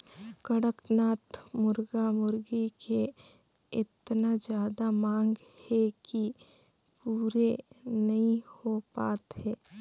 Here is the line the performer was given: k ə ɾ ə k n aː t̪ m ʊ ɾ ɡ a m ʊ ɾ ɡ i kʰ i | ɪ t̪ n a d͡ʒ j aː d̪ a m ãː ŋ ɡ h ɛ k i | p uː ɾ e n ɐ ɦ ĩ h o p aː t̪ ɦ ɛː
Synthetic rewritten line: k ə ɽ ə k n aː t̪ m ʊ ɾ ɡ a m ʊ ɾ ɡ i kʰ e | ɪ t̪ n a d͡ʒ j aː d̪ a m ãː ŋ ɡ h ɛ k i | p uː ɾ e n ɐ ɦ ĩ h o p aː t̪ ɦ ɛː